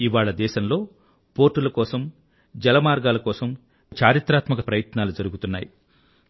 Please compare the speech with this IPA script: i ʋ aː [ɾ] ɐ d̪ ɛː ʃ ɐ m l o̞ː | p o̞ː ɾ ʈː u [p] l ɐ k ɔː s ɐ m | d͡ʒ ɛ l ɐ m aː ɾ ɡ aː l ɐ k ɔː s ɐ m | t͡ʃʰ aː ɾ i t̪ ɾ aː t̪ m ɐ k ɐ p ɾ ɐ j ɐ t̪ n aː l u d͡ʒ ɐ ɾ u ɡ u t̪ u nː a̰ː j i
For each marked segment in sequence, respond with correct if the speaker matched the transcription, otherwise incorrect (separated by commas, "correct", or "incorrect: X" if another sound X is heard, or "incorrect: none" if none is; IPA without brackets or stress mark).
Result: incorrect: ɭ, incorrect: none